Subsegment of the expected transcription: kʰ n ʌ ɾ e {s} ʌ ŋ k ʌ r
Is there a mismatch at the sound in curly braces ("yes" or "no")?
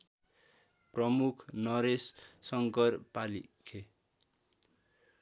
yes